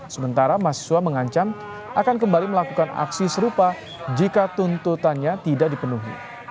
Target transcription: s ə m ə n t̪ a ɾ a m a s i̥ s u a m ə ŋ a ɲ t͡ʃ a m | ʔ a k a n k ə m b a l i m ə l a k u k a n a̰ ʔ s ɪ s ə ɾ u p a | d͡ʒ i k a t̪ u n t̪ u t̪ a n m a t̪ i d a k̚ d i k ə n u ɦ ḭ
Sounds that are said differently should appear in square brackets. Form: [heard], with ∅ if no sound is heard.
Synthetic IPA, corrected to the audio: s ə m ə n t̪ a ɾ a m a s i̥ s u a m ə ŋ a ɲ t͡ʃ a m | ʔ a k a n k ə m b a l i m ə l a k u k a n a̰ [k] s [i] s ə ɾ u p a | d͡ʒ i k a t̪ u n t̪ u t̪ a n [ɲ] a t̪ i d a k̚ d i [p] ə n u ɦ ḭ